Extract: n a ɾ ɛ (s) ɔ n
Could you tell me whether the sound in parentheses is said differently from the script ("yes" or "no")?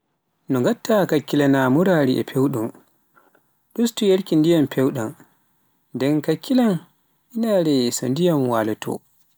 no